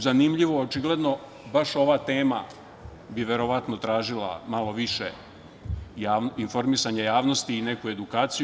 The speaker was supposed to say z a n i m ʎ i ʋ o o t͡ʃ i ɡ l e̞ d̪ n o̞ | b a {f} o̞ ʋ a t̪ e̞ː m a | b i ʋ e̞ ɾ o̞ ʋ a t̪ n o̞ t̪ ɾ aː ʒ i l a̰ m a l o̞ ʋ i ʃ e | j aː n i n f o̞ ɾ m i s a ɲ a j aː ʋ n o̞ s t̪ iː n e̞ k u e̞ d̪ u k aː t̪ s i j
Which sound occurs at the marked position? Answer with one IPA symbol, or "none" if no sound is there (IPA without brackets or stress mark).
ʃ